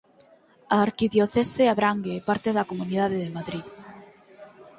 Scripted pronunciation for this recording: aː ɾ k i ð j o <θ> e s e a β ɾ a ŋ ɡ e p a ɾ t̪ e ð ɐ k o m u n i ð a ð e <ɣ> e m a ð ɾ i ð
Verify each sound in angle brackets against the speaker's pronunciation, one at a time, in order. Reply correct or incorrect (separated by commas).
correct, incorrect